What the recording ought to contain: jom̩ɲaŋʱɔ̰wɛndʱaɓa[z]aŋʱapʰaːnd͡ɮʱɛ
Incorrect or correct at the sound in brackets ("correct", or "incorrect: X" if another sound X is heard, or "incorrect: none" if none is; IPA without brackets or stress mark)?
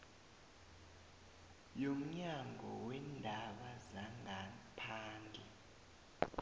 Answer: correct